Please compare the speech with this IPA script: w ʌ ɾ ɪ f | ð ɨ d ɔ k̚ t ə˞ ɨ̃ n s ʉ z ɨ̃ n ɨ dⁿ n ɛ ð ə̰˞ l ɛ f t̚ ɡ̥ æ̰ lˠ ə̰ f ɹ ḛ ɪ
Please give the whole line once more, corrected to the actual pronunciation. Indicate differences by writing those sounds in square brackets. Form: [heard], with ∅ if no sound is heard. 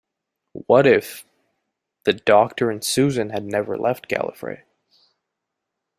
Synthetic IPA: w ʌ ɾ ɪ f | ð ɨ d ɔ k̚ t ə˞ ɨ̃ n s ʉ z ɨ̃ n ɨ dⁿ n ɛ [v] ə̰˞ l ɛ f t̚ ɡ̥ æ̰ lˠ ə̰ f ɹ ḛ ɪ